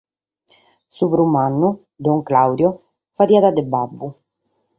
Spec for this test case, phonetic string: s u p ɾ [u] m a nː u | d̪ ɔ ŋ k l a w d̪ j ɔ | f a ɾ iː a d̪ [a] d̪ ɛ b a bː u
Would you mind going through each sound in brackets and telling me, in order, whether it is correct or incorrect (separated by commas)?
correct, correct